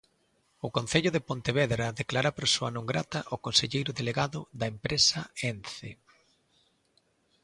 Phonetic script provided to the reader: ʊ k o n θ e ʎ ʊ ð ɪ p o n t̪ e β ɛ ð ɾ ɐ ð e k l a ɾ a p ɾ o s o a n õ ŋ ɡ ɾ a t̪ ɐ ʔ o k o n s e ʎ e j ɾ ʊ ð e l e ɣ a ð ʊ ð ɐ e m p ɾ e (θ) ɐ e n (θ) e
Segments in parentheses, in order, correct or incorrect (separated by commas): incorrect, correct